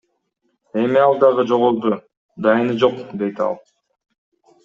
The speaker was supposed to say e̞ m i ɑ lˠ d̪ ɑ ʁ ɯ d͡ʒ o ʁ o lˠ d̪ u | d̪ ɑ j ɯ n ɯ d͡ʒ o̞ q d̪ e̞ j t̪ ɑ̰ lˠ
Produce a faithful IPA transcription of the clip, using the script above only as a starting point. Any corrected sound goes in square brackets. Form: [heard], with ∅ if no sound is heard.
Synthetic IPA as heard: e̞ m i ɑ lˠ d̪ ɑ ʁ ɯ d͡ʒ o ʁ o lˠ d̪ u | d̪ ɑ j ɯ n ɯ d͡ʒ o̞ q d̪ e̞ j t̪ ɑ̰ lˠ